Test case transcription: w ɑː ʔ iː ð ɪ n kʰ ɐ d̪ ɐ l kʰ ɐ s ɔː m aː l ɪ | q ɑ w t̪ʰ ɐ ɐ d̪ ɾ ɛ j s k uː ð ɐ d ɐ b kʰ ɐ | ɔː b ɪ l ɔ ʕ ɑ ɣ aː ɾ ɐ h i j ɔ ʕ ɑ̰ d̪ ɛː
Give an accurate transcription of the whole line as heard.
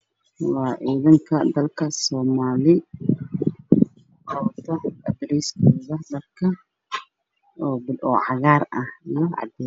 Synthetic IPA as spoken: w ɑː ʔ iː ð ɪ ŋ kʰ ɐ d̪ ɐ l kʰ ɐ s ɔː m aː l ɪ | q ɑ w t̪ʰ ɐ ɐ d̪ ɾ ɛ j s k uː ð ɐ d ɐ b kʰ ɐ | ɔː b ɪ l ɔ ʕ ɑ ɣ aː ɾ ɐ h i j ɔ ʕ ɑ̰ d̪ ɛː